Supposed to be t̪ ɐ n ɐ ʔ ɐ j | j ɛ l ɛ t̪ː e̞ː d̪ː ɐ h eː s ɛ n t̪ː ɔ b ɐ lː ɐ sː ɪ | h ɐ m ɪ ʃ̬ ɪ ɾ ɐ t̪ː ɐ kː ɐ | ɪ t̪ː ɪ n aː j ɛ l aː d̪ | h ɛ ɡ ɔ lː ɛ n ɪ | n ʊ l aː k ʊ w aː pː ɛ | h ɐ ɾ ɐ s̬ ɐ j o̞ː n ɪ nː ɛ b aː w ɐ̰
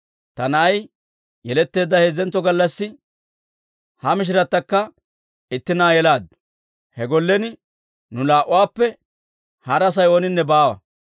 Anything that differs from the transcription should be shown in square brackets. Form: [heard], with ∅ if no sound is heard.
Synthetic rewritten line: t̪ ɐ n ɐ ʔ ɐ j | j ɛ l ɛ t̪ː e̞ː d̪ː ɐ h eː [z] ɛ n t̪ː ɔ [ɡ] ɐ lː ɐ sː ɪ | h ɐ m ɪ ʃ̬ ɪ ɾ ɐ t̪ː ɐ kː ɐ | ɪ t̪ː ɪ n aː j ɛ l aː d̪ | h ɛ ɡ ɔ lː ɛ n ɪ | n ʊ l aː [ʔ] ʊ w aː pː ɛ | h ɐ ɾ ɐ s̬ ɐ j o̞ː n ɪ nː ɛ b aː w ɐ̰

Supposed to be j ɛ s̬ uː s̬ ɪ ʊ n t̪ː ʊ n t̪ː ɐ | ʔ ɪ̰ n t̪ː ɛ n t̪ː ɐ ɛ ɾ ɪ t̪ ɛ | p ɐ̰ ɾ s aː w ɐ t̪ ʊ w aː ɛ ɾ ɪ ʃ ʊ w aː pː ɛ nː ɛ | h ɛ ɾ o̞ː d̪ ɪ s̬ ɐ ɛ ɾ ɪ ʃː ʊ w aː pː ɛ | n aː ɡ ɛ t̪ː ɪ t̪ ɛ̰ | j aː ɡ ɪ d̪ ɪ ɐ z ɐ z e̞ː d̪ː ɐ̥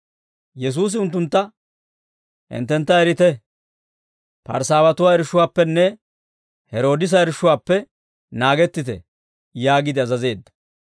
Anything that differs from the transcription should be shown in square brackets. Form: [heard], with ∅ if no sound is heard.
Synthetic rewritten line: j ɛ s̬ uː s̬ ɪ ʊ n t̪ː ʊ n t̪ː ɐ | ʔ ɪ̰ n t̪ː ɛ n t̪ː ɐ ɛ ɾ ɪ t̪ ɛ | p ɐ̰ ɾ s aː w ɐ t̪ ʊ w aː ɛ ɾ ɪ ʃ ʊ w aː pː ɛ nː ɛ | h ɛ ɾ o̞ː d̪ ɪ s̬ ɐ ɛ ɾ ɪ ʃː ʊ w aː pː ɛ | n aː ɡ ɛ t̪ː ɪ t̪ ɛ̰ | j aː ɡ ɪ d̪ ɪ ɐ z ɐ z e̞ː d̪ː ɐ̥

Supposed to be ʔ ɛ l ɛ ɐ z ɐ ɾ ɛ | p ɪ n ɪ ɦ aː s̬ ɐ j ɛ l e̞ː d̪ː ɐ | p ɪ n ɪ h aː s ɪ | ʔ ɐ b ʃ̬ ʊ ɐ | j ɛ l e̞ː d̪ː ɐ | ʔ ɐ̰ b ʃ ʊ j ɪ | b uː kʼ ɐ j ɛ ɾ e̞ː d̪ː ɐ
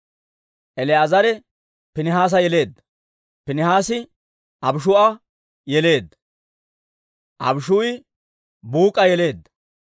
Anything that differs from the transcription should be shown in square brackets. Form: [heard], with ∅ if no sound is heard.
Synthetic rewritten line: ʔ ɛ l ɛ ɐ z ɐ ɾ ɛ | p ɪ n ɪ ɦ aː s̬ ɐ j ɛ l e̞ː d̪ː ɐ | p ɪ n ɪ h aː s ɪ | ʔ ɐ b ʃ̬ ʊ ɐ | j ɛ l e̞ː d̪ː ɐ | ʔ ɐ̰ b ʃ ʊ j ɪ | b uː kʼ ɐ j ɛ [l] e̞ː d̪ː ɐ

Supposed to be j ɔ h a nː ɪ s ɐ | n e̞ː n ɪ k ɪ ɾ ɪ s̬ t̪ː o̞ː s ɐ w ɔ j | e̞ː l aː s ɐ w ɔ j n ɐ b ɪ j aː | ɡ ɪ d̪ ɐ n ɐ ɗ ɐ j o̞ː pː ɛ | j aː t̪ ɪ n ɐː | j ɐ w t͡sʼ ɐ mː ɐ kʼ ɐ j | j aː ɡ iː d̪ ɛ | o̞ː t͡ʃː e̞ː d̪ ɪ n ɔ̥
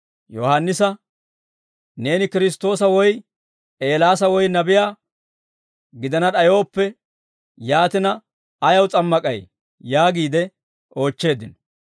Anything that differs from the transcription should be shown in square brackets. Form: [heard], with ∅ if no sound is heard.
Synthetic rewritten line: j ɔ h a nː ɪ s ɐ | n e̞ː n ɪ k ɪ ɾ ɪ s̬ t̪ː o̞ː s ɐ w ɔ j | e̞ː l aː s ɐ w ɔ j n ɐ b ɪ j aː | ɡ ɪ d̪ ɐ n ɐ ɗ ɐ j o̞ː pː ɛ | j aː t̪ ɪ n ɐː | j ɐ w t͡sʼ ɐ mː ɐ kʼ ɐ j | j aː ɡ iː d̪ ɛ | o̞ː t͡ʃː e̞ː d̪ ɪ n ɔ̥

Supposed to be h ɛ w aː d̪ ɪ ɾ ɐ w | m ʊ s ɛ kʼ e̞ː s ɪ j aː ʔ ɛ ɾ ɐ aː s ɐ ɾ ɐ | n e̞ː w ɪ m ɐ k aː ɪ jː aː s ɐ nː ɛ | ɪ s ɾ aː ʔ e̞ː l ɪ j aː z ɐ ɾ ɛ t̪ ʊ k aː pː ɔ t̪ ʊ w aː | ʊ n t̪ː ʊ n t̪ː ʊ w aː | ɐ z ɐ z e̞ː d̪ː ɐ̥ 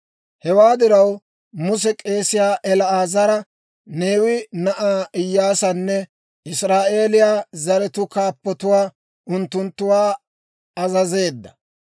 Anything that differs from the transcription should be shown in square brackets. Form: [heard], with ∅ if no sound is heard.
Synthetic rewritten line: h ɛ w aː d̪ ɪ ɾ ɐ w | m ʊ s ɛ kʼ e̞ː s ɪ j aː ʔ ɛ [l] ɐ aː [z] ɐ ɾ ɐ | n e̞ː w ɪ [n] ɐ [ʔ] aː ɪ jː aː s ɐ nː ɛ | ɪ s ɾ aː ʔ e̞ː l ɪ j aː z ɐ ɾ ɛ t̪ ʊ k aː pː ɔ t̪ ʊ w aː | ʊ n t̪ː ʊ n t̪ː ʊ w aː | ɐ z ɐ z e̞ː d̪ː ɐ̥

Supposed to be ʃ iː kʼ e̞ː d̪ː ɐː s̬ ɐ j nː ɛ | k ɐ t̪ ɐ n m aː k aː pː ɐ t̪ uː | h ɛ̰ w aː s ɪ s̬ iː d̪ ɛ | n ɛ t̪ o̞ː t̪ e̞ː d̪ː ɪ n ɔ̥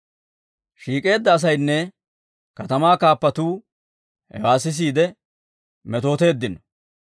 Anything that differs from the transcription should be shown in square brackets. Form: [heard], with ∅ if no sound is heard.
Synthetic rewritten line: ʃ iː kʼ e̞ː d̪ː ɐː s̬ ɐ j nː ɛ | k ɐ t̪ ɐ [∅] m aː k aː pː ɐ t̪ uː | h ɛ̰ w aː s ɪ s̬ iː d̪ ɛ | [m] ɛ t̪ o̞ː t̪ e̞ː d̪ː ɪ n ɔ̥

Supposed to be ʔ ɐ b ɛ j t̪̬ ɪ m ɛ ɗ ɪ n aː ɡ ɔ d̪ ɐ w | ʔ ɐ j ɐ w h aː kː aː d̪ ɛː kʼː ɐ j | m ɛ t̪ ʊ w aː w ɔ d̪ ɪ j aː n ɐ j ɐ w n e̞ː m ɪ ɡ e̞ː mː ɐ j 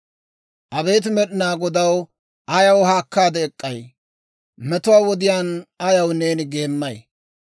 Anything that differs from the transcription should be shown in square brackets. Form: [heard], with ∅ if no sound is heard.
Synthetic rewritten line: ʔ ɐ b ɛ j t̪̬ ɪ m ɛ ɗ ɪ n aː ɡ ɔ d̪ ɐ w | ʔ ɐ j ɐ w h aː kː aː d̪ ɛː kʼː ɐ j | m ɛ t̪ ʊ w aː w ɔ d̪ ɪ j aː n ɐ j ɐ w n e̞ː [n] ɪ ɡ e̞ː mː ɐ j

